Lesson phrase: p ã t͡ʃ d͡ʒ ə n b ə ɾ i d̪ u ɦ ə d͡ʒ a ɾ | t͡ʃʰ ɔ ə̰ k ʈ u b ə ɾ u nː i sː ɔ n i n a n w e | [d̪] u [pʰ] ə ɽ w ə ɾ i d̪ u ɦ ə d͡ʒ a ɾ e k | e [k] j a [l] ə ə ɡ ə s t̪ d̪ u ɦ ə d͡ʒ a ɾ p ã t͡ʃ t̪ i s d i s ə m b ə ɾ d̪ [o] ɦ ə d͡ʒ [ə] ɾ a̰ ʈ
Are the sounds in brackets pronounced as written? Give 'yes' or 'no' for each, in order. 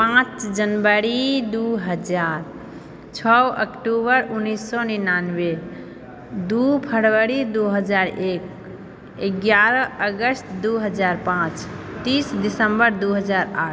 yes, yes, no, no, no, no

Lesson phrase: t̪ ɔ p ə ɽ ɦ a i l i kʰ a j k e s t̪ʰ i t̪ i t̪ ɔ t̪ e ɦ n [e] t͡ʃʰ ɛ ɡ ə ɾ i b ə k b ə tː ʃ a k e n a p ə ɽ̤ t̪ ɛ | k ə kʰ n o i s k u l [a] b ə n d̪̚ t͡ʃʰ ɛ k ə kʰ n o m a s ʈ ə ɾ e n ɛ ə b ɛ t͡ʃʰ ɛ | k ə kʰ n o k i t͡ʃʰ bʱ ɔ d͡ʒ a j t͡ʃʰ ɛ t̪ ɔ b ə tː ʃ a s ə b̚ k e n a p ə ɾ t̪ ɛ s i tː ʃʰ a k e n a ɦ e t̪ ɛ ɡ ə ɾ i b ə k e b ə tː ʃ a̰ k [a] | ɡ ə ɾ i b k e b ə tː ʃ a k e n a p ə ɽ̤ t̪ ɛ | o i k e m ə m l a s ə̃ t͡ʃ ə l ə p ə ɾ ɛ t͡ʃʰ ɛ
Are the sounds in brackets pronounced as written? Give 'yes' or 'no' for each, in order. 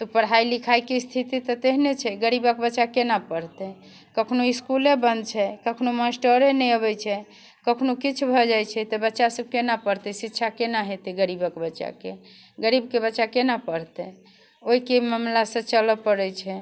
yes, no, no

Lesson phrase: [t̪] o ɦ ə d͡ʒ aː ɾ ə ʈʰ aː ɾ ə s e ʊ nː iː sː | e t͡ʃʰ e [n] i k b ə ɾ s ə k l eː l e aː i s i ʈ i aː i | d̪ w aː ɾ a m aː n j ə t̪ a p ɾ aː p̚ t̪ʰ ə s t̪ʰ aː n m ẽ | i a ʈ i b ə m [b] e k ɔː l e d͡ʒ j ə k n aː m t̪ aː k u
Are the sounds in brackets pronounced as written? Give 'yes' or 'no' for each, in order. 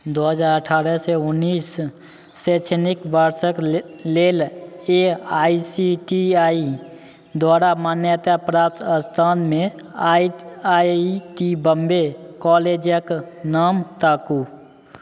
no, yes, yes

